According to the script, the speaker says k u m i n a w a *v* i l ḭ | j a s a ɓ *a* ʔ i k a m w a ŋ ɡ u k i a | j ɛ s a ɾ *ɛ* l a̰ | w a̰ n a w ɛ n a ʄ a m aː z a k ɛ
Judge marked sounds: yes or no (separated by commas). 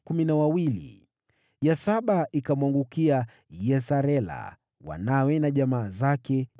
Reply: no, yes, yes